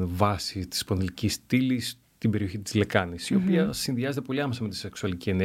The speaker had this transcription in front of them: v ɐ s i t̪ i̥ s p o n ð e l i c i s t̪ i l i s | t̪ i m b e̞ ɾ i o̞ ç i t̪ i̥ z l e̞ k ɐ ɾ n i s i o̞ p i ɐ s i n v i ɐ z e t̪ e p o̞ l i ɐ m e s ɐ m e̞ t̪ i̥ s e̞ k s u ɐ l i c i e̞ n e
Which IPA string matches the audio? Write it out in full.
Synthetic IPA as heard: v ɐ s i t̪ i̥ s p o n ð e l i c i s t̪ i l i s | t̪ i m b e̞ ɾ i o̞ ç i t̪ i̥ z l e̞ k ɐ n i s i o̞ p i ɐ s i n ð i ɐ z e t̪ e p o̞ l i ɐ m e s ɐ m e̞ t̪ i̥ s e̞ k s u ɐ l i c i e̞ n e